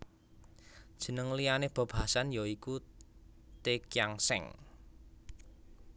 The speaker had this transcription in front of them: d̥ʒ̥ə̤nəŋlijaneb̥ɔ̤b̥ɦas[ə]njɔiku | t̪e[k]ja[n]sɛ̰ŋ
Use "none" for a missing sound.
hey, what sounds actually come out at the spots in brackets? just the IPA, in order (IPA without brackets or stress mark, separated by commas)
a, k, ŋ